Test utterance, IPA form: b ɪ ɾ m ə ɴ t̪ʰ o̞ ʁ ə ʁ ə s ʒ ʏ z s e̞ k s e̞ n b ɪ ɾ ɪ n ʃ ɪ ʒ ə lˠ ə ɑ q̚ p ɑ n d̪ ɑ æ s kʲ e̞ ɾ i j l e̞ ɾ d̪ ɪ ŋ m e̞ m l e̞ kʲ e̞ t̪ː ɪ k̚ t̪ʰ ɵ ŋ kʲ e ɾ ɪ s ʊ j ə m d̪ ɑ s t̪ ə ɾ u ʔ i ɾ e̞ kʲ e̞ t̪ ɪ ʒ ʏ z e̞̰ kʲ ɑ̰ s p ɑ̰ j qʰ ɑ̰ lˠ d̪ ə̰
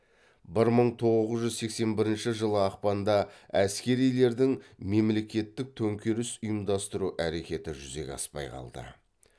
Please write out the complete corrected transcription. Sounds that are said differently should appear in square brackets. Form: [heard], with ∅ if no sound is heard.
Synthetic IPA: b ɪ ɾ m ə ɴ t̪ʰ o̞ ʁ ə [z] ə [z] ʒ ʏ z s e̞ k s e̞ n b ɪ ɾ ɪ n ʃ ɪ ʒ ə lˠ ə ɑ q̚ p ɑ n d̪ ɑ æ s kʲ e̞ ɾ i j l e̞ ɾ d̪ ɪ ŋ m e̞ m l e̞ kʲ e̞ t̪ː ɪ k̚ t̪ʰ ɵ ŋ kʲ e ɾ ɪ s ʊ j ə m d̪ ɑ s t̪ ə ɾ u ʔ [æ] ɾ e̞ kʲ e̞ t̪ ɪ ʒ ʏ z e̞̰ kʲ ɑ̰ s p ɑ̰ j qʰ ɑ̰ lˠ d̪ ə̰